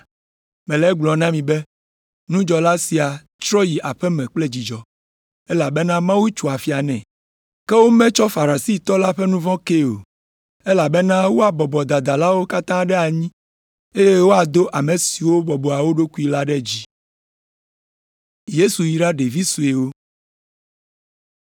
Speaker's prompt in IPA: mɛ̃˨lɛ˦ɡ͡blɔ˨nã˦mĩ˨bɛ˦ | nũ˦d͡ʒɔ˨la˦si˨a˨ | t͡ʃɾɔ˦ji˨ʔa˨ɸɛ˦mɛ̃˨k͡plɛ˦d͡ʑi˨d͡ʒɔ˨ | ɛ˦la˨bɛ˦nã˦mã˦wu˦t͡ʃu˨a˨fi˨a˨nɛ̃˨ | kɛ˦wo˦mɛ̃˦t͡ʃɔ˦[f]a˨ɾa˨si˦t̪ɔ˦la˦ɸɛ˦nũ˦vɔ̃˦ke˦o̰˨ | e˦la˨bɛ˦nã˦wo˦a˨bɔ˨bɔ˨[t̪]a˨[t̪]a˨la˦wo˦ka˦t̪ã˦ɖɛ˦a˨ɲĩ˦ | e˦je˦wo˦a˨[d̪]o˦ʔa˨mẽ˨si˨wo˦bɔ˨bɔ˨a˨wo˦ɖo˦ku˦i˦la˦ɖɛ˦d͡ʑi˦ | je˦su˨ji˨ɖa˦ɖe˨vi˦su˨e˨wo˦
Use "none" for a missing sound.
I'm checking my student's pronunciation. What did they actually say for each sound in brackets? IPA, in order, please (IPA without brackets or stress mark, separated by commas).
f, d̪, d̪, d̪